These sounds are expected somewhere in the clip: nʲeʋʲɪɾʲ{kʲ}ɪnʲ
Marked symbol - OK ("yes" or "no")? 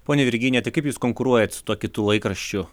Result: no